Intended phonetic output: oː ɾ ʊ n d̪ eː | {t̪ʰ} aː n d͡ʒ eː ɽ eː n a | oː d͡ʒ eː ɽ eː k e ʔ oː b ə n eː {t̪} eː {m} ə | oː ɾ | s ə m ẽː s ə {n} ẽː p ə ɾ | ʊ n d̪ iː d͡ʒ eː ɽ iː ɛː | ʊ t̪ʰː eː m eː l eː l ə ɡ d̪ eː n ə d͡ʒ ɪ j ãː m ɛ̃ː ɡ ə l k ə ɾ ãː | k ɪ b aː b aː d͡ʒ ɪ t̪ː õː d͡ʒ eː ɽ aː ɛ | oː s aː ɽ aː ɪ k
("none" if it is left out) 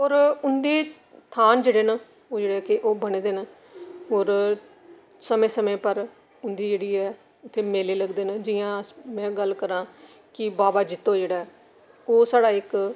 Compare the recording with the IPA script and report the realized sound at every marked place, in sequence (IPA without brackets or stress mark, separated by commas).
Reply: t̪ʰ, d̪, n, m